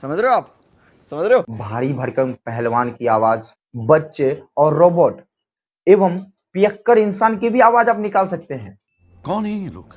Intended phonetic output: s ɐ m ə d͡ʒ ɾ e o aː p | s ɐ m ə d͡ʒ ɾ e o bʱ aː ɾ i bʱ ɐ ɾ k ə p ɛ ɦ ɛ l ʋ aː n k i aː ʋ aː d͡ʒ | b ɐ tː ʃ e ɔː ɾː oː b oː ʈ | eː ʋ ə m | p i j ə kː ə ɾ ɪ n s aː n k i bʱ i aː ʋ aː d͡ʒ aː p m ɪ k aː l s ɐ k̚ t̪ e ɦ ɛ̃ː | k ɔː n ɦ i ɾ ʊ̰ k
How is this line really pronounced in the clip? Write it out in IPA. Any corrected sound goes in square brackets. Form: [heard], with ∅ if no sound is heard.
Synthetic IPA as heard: s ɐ m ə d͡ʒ ɾ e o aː p | s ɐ m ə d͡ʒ ɾ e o bʱ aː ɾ i bʱ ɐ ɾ k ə p ɛ ɦ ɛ l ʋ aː n k i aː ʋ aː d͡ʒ | b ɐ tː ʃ e ɔː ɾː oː b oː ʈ | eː ʋ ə m | p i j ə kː ə ɾ ɪ n s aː n k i bʱ i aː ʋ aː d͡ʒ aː p [n] ɪ k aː l s ɐ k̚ t̪ e ɦ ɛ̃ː | k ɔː n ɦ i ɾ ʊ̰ k

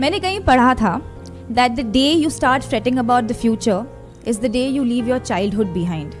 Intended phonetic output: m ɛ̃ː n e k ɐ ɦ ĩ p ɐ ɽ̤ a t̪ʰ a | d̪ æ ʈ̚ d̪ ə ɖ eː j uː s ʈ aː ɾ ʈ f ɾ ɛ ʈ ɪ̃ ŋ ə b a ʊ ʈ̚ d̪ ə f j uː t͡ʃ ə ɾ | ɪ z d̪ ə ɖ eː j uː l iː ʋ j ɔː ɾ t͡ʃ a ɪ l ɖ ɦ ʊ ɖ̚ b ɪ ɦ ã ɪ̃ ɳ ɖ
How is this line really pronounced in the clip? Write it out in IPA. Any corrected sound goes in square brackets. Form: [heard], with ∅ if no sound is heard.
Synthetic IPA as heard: m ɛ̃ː n e k ɐ ɦ ĩ p ɐ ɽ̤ a t̪ʰ a | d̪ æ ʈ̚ d̪ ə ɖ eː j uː s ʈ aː ɾ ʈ f ɾ ɛ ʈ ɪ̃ ŋ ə b a ʊ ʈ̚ d̪ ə f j uː t͡ʃ ə ɾ | ɪ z d̪ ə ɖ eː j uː l iː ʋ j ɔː ɾ t͡ʃ a ɪ l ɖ ɦ ʊ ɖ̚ b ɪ ɦ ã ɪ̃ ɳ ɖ

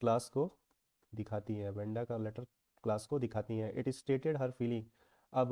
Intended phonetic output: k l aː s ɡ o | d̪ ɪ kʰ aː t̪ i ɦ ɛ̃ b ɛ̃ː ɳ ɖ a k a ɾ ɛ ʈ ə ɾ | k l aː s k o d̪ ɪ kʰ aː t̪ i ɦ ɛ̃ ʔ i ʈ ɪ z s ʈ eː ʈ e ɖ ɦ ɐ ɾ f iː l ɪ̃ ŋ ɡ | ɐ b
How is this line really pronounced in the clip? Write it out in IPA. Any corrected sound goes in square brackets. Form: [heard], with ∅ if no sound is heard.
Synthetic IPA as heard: k l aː s [k] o | d̪ ɪ kʰ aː t̪ i ɦ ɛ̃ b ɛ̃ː ɳ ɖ a k a [l] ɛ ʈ ə ɾ | k l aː s k o d̪ ɪ kʰ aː t̪ i ɦ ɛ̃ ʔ [ɪ] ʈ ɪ z s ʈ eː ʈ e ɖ ɦ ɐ ɾ f iː l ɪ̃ ŋ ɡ | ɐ b

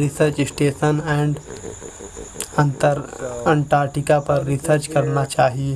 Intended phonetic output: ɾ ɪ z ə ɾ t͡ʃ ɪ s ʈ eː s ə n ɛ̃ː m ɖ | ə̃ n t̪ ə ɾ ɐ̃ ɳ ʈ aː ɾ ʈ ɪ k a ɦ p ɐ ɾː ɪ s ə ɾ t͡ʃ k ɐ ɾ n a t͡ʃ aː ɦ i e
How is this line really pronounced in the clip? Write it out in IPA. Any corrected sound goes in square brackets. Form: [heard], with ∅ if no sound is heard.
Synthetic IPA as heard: ɾ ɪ [s] ə ɾ t͡ʃ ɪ s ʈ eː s ə n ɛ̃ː [ɳ] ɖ | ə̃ n t̪ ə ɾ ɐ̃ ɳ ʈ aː ɾ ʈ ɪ k a [∅] p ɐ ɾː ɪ s ə ɾ t͡ʃ k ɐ ɾ n a t͡ʃ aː ɦ i e

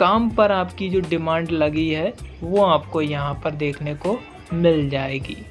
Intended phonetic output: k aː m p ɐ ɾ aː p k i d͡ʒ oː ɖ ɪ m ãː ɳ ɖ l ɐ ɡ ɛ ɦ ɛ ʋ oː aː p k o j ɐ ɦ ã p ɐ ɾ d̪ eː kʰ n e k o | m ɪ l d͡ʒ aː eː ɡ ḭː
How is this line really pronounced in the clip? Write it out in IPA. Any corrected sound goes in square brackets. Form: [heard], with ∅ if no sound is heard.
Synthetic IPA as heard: k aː m p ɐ ɾ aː p k i d͡ʒ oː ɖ ɪ m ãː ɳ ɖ l ɐ ɡ [i] ɦ ɛ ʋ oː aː p k o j ɐ ɦ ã p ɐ ɾ d̪ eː kʰ n e k o | m ɪ l d͡ʒ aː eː ɡ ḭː

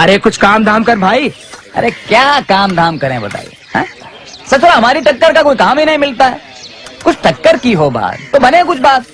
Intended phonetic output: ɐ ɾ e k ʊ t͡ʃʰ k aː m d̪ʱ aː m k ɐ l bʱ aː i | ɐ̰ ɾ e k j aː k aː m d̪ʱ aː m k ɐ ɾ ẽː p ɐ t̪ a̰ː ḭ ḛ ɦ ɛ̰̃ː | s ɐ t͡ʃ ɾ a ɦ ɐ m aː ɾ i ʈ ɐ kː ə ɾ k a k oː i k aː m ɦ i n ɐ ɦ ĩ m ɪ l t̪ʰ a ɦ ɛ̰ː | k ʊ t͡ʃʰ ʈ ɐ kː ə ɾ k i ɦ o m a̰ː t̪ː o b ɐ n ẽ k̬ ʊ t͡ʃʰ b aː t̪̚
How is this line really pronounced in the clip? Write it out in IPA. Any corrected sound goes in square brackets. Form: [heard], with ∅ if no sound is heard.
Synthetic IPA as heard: ɐ ɾ e k ʊ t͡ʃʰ k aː m d̪ʱ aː m k ɐ [ɾ] bʱ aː i | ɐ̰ ɾ e k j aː k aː m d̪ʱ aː m k ɐ ɾ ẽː [b] ɐ t̪ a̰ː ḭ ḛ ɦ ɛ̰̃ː | s ɐ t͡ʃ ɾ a ɦ ɐ m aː ɾ i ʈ ɐ kː ə ɾ k a k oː i k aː m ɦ i n ɐ ɦ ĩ m ɪ l [t̪] a ɦ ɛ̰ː | k ʊ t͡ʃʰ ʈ ɐ kː ə ɾ k i ɦ o [b] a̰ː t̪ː o b ɐ n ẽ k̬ ʊ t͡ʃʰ b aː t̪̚

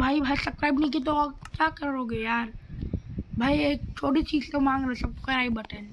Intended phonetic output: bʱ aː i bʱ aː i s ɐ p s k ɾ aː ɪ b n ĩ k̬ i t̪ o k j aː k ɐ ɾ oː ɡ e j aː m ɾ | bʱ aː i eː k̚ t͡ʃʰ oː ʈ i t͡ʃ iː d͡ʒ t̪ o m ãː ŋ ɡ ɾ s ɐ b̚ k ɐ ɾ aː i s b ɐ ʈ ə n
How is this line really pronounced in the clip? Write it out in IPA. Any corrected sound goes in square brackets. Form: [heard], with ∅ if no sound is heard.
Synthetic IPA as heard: bʱ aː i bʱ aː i s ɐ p s k ɾ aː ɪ b n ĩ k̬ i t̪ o k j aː k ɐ ɾ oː ɡ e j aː [∅] ɾ | bʱ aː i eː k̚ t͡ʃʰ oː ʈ i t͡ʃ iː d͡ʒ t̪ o m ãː ŋ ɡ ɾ s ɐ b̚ k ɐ ɾ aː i [∅] b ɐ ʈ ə n

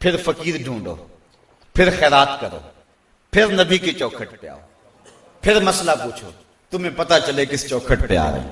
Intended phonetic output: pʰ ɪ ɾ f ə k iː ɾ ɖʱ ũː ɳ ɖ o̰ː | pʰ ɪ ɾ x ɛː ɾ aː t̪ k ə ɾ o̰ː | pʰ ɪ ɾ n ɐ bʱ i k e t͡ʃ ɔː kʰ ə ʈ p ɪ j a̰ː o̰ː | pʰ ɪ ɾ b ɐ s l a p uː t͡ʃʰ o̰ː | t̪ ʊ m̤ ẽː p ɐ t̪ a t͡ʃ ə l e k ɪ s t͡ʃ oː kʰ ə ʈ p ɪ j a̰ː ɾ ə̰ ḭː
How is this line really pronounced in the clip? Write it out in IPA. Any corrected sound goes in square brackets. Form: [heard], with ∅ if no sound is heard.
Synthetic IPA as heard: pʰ ɪ ɾ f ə k iː ɾ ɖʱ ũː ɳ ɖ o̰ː | pʰ ɪ ɾ x ɛː ɾ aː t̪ k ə ɾ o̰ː | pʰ ɪ ɾ n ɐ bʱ i k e t͡ʃ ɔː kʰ ə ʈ p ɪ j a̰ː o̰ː | pʰ ɪ ɾ [m] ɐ s l a p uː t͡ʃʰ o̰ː | t̪ ʊ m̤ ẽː p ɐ t̪ a t͡ʃ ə l e k ɪ s t͡ʃ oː kʰ ə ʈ p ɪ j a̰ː ɾ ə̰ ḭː

